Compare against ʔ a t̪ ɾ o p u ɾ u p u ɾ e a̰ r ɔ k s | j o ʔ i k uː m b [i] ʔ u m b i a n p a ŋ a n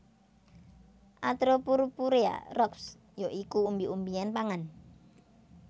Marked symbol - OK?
yes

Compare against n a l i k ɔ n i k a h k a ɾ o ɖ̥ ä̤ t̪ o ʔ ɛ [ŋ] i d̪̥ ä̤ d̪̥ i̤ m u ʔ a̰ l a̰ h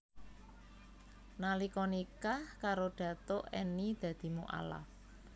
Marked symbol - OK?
no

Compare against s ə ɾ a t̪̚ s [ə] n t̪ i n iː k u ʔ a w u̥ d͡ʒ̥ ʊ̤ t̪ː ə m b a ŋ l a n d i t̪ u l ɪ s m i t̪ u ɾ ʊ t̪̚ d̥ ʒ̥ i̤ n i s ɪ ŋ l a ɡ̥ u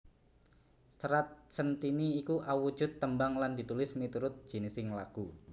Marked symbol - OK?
yes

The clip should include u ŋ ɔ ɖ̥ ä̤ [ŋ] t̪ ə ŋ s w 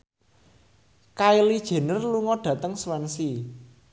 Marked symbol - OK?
no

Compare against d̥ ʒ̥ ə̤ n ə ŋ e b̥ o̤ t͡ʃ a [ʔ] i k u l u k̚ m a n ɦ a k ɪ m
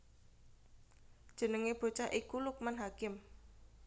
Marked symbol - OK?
yes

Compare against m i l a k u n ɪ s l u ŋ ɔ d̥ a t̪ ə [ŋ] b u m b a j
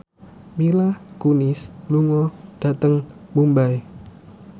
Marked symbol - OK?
yes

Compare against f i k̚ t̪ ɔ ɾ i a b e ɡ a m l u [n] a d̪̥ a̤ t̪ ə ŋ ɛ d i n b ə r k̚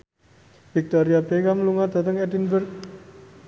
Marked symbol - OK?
no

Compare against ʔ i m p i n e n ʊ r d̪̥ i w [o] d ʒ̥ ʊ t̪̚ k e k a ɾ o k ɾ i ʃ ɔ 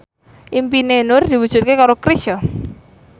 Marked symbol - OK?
no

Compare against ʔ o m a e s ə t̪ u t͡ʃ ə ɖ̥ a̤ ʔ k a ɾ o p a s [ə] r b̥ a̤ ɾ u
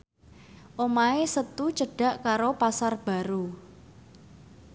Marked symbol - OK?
no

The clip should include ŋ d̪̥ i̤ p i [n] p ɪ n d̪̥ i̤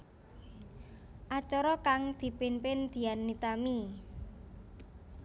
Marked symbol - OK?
yes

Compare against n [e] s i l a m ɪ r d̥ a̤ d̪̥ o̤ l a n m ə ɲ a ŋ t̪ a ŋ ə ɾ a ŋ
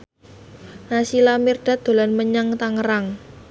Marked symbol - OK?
no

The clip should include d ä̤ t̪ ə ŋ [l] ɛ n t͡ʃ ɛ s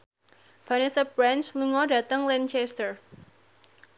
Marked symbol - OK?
yes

